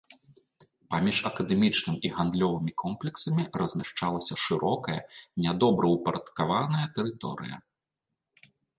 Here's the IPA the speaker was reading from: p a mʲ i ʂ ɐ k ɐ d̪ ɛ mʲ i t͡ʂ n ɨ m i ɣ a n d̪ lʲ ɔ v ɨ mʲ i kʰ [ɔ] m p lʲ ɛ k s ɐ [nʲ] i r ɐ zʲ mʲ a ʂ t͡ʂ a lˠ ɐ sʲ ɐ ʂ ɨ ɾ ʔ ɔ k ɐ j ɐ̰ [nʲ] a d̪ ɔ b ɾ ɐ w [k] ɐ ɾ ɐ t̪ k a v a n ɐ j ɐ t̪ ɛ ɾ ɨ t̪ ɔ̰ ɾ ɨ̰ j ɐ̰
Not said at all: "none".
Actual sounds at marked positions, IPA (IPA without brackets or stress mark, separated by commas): ɔ, mʲ, nʲ, p